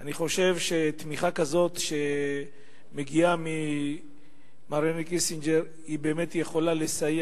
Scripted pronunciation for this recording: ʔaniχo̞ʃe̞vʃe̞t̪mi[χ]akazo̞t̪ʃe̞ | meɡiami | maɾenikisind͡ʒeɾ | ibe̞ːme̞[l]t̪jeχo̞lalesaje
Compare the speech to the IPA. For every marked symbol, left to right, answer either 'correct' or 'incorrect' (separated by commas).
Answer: correct, incorrect